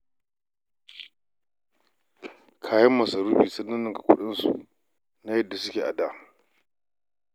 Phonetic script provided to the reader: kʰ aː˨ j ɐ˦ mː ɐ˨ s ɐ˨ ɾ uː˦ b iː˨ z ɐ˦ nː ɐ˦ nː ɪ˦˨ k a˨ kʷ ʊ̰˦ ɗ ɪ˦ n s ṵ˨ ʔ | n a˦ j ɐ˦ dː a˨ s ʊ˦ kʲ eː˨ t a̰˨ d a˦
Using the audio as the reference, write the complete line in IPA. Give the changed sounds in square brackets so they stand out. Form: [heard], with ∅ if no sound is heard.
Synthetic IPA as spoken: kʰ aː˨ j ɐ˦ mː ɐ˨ s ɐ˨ ɾ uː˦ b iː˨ [s] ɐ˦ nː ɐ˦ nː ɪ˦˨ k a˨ kʷ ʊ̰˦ ɗ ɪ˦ n s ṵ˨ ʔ | n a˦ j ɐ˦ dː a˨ s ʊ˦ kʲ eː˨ [ʔ] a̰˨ d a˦